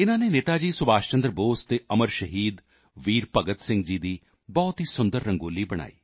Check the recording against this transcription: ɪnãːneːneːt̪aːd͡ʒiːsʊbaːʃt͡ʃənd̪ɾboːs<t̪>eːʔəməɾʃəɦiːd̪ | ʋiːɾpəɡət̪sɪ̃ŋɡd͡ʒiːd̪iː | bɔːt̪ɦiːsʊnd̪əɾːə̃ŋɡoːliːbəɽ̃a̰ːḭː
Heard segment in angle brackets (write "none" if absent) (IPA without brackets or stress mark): t̪